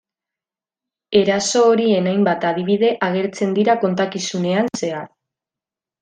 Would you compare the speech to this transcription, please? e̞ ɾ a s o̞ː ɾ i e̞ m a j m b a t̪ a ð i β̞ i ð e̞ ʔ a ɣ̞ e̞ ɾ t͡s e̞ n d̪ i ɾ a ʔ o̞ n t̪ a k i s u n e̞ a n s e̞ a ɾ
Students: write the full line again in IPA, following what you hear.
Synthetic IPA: e̞ ɾ a s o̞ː ɾ i e̞ n a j m b a t̪ a ð i β̞ i ð e̞ ʔ a ɣ̞ e̞ ɾ t͡s e̞ n d̪ i ɾ a k o̞ n t̪ a k i s u n e̞ a n s e̞ a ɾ